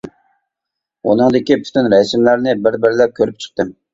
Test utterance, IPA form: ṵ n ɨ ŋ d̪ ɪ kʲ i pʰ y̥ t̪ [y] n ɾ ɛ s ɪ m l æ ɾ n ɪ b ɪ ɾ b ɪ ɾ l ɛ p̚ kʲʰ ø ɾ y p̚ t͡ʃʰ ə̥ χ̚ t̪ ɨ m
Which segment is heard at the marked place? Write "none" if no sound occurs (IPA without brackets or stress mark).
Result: y